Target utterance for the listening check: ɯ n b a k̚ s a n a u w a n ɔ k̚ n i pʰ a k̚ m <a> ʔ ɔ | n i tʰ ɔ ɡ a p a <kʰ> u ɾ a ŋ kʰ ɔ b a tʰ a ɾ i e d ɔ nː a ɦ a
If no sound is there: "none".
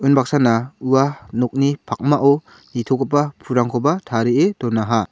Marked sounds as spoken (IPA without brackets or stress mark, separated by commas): a, pʰ